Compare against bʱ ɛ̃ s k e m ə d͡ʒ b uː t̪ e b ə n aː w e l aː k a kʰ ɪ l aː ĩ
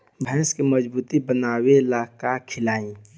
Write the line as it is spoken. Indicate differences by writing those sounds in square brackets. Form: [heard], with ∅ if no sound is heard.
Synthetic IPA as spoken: bʱ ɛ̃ s k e m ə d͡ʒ b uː t̪ [i] b ə n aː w e l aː k a kʰ ɪ l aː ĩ